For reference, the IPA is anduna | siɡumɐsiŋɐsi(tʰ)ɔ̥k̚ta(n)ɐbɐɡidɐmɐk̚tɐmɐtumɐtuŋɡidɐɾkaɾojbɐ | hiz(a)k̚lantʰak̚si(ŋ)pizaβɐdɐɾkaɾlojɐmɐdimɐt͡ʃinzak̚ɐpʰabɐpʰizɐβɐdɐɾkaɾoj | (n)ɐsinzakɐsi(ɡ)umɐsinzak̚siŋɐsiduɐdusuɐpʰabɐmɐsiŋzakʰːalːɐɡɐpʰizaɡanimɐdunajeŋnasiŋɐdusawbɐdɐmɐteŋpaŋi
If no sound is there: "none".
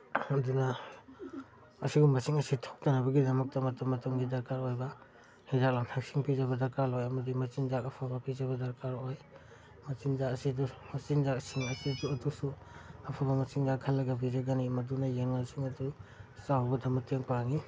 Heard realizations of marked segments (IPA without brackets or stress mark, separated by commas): tʰ, n, a, ŋ, m, d